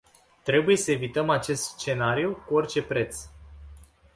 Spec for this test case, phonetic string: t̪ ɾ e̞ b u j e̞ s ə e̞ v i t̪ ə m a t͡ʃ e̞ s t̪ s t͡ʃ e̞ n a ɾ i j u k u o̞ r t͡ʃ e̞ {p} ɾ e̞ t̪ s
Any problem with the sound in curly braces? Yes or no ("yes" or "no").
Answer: no